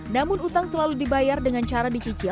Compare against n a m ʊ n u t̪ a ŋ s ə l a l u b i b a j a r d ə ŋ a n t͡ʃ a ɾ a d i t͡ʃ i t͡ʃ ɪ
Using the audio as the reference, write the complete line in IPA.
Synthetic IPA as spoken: n a m ʊ n u t̪ a ŋ s ə l a l u d i b a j a r d ə ŋ a n t͡ʃ a ɾ a d i t͡ʃ i t͡ʃ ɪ